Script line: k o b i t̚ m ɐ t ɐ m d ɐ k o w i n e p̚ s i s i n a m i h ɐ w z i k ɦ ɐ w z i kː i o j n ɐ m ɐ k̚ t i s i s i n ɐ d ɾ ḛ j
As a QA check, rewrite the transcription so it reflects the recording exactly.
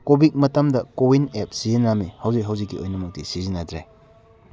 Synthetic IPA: k o b i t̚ m ɐ t ɐ m d ɐ k o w i n e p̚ s i z i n a m i h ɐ w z i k ɦ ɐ w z i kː i o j n ɐ m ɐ k̚ t i s i z i n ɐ d ɾ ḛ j